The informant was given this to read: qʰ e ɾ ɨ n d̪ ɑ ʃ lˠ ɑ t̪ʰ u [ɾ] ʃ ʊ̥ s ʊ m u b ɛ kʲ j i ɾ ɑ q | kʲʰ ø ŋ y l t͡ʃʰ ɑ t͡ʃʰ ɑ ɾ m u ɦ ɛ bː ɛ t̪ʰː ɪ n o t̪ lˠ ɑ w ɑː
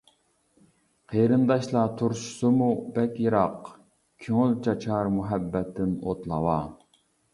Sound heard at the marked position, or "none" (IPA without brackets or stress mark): ɾ